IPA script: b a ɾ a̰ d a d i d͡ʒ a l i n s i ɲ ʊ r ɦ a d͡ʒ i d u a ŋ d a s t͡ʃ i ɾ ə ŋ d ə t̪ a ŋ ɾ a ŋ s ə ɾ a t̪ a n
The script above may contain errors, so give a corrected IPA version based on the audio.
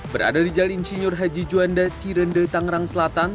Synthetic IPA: b ə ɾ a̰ d a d i d͡ʒ a l i n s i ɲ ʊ r ɦ a d͡ʒ i d͡ʒ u a n d a t͡ʃ i ɾ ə n d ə t̪ a ŋ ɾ a ŋ s ə l a t̪ a n